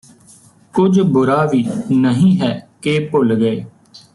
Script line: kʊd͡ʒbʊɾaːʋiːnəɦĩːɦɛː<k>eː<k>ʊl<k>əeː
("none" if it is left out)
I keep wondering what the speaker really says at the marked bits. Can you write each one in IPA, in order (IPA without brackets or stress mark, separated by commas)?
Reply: k, p, ɡ